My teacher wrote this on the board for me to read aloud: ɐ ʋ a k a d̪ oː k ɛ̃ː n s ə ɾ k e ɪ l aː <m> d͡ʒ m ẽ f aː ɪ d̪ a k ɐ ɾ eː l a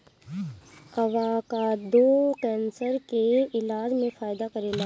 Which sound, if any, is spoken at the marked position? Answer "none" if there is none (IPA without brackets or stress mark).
none